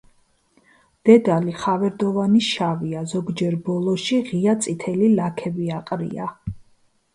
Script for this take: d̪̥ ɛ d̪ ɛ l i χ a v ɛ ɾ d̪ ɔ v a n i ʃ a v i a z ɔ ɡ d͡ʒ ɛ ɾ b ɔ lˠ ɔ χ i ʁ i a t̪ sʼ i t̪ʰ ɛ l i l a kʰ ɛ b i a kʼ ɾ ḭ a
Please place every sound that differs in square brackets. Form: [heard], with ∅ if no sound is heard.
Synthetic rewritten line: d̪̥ ɛ d̪ [a] l i χ a v ɛ ɾ d̪ ɔ v a n i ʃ a v i a z ɔ ɡ d͡ʒ ɛ ɾ b ɔ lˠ ɔ [ʃ] i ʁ i a t̪ sʼ i t̪ʰ ɛ l i l a kʰ ɛ b i a [qʼ] ɾ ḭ a